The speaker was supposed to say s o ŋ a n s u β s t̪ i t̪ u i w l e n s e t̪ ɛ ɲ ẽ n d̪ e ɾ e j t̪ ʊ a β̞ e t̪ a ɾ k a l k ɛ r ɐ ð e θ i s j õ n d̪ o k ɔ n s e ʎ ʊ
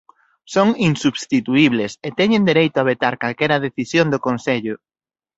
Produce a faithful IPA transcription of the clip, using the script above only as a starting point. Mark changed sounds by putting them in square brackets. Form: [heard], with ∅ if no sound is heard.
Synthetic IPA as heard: s o ŋ [i] n s u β s t̪ i t̪ u i [β] l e [∅] s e t̪ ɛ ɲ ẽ n d̪ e ɾ e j t̪ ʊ a β̞ e t̪ a ɾ k a l k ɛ [ɾ] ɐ ð e θ i s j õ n d̪ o k [o] n s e ʎ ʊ

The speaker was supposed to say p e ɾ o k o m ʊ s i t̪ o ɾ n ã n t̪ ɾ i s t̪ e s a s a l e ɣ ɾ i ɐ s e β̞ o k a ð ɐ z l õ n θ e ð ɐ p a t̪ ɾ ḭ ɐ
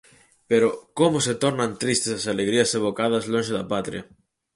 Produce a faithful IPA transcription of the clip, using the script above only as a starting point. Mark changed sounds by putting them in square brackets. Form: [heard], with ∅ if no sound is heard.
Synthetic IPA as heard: p e ɾ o k o m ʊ s [e] t̪ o ɾ n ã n t̪ ɾ i s t̪ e s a s a l e ɣ ɾ i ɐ s e β̞ o k a ð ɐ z l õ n [ʃ] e ð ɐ p a t̪ ɾ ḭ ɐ

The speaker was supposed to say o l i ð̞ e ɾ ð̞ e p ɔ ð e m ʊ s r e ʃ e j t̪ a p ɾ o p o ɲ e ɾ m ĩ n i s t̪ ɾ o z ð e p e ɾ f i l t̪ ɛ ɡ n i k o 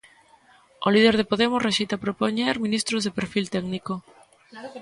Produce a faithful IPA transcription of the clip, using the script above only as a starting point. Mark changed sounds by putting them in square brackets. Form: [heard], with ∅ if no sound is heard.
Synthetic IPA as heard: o l i ð̞ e ɾ ð̞ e p [o] ð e m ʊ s r e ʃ e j t̪ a p ɾ o p o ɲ e ɾ m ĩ n i s t̪ ɾ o z ð e p e ɾ f i l t̪ ɛ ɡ n i k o

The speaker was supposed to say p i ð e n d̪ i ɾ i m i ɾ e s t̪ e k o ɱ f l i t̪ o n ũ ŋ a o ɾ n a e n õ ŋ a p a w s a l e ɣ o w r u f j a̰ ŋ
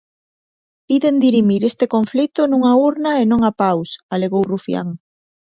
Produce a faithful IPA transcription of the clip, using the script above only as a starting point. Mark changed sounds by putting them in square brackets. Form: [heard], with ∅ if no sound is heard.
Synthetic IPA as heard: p i ð e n d̪ i ɾ i m i ɾ e s t̪ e k o ɱ f l i t̪ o n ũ ŋ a [u] ɾ n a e n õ ŋ a p a w s a l e ɣ o w r u f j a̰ ŋ

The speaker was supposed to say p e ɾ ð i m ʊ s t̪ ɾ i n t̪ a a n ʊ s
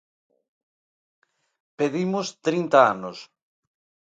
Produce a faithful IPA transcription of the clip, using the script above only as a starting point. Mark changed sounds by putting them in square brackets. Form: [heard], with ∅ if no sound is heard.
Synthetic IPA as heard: p e [∅] ð i m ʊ s t̪ ɾ i n t̪ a a n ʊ s

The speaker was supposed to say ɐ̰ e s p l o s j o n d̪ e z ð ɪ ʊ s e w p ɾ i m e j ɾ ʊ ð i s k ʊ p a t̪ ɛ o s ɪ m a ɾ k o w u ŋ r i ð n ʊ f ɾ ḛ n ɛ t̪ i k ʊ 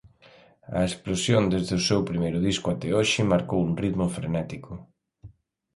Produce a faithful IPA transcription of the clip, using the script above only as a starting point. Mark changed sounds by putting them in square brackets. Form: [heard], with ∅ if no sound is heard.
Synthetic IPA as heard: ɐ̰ e s p l o s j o n d̪ e z ð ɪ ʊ s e w p ɾ i m e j ɾ ʊ ð i s k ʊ [∅] a t̪ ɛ o [ʃ] ɪ m a ɾ k o w u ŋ r i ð [m] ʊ f ɾ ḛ n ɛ t̪ i k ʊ

